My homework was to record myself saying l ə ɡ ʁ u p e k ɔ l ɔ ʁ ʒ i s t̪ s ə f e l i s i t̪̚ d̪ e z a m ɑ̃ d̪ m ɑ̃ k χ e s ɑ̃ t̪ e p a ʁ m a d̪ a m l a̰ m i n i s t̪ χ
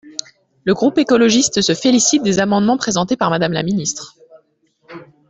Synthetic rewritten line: l ə ɡ ʁ u p e k ɔ l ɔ ʒ i s t̪ s ə f e l i s i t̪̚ d̪ e z a m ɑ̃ d̪ m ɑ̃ p χ e z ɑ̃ t̪ e p a ʁ m a d̪ a m l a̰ m i n i s t̪ χ